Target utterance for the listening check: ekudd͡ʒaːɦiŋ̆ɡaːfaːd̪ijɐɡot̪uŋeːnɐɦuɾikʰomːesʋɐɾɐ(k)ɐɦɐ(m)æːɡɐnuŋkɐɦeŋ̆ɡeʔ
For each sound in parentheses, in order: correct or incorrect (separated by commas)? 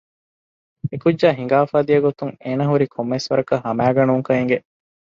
correct, correct